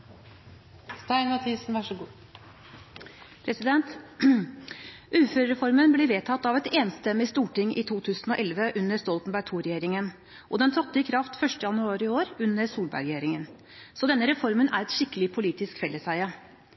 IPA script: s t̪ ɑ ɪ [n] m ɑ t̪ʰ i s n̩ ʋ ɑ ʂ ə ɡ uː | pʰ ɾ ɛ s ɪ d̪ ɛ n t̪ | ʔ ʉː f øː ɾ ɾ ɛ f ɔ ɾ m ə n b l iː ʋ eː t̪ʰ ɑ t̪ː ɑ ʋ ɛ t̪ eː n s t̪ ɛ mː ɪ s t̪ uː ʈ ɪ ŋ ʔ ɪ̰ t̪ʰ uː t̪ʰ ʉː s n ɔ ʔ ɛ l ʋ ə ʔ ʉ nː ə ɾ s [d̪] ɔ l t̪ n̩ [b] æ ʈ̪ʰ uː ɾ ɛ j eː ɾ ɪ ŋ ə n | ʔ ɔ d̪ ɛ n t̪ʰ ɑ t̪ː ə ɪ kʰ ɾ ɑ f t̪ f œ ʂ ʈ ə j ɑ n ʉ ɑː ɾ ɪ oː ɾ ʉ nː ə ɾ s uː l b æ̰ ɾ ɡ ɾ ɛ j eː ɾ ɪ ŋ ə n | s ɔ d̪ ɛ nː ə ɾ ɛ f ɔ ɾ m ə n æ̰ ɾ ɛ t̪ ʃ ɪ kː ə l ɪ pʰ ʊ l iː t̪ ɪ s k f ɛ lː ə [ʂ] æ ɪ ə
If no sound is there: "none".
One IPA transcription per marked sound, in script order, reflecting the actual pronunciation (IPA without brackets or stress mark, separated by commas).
n, t̪, b, s